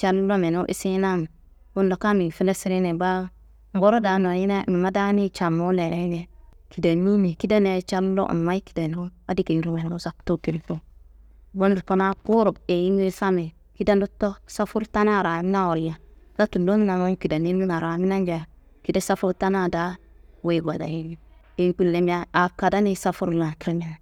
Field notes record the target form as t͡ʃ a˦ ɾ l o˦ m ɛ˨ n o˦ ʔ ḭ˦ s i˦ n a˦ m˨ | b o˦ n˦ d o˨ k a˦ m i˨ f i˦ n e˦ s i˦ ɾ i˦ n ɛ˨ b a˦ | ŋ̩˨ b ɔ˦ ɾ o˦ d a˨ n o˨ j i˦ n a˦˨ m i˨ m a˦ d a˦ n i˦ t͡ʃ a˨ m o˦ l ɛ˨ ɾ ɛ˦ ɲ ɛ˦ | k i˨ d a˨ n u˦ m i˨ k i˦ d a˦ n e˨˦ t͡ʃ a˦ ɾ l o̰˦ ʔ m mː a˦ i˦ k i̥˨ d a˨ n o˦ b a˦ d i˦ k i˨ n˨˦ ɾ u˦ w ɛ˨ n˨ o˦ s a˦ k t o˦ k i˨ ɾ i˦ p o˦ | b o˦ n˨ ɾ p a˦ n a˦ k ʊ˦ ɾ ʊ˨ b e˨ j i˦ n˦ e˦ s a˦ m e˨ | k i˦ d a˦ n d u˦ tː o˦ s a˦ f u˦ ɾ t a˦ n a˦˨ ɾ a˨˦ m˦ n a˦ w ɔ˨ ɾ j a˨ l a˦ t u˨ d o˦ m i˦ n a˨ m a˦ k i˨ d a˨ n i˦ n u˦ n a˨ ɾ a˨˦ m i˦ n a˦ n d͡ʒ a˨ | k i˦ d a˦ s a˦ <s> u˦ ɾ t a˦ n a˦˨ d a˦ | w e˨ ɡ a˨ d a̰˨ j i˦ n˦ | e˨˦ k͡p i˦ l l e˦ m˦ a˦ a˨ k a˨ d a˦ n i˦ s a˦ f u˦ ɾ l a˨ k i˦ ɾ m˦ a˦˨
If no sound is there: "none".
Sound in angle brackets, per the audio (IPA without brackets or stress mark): f